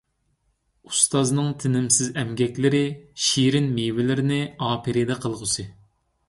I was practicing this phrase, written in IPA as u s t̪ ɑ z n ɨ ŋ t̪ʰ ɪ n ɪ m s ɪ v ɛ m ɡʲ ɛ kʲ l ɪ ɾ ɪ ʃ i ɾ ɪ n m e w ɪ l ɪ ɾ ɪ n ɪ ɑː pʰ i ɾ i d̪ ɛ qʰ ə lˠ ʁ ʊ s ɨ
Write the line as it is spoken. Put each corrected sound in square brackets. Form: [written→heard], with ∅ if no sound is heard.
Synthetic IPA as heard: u s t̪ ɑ z n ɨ ŋ t̪ʰ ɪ n ɪ m s ɪ [v→z] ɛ m ɡʲ ɛ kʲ l ɪ ɾ ɪ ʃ i ɾ ɪ n m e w ɪ l ɪ ɾ ɪ n ɪ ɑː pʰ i ɾ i d̪ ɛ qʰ ə lˠ ʁ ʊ s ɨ